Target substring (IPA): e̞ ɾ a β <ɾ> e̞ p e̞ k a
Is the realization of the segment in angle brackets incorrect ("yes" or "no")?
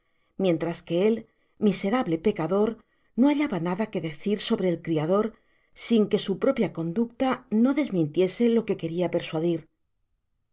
yes